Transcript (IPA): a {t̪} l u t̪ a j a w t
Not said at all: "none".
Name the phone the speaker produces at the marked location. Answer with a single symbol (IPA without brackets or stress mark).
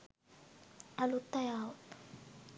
none